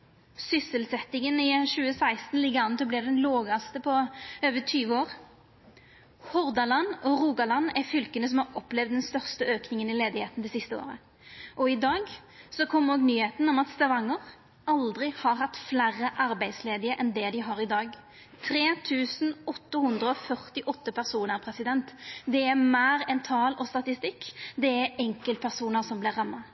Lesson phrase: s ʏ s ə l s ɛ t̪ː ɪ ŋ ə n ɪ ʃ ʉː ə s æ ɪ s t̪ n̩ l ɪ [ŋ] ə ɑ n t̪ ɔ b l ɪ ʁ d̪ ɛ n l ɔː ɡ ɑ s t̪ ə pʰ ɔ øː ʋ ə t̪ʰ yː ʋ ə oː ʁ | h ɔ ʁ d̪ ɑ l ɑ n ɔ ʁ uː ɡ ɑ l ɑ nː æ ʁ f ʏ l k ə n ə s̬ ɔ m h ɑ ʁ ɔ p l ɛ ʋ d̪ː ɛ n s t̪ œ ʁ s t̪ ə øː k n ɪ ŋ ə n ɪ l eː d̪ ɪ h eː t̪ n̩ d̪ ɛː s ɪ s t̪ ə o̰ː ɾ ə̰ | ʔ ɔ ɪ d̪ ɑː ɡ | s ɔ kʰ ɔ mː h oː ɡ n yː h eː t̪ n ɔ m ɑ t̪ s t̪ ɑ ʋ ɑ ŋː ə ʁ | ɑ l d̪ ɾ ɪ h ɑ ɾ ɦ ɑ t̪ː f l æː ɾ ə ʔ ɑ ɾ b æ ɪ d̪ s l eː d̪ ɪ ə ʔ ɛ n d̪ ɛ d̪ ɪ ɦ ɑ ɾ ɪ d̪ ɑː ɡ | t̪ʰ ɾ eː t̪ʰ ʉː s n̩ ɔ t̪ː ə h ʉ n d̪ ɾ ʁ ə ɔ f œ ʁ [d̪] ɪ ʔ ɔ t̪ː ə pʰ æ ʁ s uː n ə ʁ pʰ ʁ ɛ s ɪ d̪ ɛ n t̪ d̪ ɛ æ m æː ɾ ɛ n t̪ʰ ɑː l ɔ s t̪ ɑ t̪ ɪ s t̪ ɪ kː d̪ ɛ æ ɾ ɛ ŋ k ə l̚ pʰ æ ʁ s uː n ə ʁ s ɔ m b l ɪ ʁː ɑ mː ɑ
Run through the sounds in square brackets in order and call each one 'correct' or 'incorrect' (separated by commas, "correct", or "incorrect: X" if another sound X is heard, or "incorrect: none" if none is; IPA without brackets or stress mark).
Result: incorrect: ɡ, incorrect: t̪